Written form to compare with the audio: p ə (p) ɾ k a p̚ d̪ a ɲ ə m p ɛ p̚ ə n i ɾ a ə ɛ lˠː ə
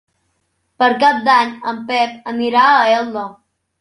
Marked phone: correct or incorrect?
incorrect